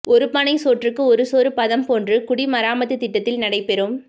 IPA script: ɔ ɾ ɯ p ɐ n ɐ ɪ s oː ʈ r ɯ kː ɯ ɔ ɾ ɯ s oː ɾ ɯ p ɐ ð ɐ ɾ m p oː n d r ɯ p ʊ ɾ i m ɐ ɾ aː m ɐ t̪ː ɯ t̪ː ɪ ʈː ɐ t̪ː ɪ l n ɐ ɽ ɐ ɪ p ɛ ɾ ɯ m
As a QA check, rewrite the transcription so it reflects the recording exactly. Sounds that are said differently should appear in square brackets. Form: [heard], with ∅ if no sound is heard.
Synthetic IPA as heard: ɔ ɾ ɯ p ɐ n ɐ ɪ s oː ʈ r ɯ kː ɯ ɔ ɾ ɯ s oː ɾ ɯ p ɐ ð ɐ [∅] m p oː n d r ɯ [k] ʊ [ɽ] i m ɐ ɾ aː m ɐ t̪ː ɯ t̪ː ɪ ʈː ɐ t̪ː ɪ l n ɐ ɽ ɐ ɪ p ɛ ɾ ɯ m